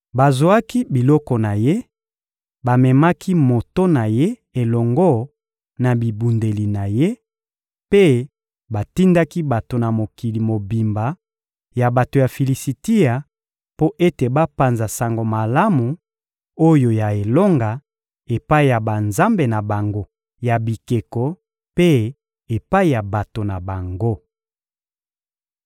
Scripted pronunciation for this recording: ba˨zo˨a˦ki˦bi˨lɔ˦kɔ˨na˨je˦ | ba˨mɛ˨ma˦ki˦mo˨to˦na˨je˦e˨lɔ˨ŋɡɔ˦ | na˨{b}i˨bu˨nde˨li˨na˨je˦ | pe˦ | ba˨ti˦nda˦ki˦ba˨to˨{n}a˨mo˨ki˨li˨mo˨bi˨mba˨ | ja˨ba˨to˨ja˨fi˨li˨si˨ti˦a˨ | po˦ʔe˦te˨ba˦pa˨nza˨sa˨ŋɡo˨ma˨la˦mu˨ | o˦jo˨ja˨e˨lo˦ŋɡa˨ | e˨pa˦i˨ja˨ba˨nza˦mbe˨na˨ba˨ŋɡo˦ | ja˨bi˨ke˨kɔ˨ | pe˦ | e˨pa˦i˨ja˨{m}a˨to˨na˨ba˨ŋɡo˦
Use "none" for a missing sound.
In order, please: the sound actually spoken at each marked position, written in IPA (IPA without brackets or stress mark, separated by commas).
b, n, b